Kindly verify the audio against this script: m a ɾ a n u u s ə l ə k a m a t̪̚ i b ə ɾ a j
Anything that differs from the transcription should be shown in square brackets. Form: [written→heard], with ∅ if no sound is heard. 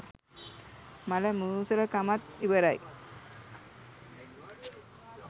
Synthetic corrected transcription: m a [ɾ→l] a [n→m] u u s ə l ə k a m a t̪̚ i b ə ɾ a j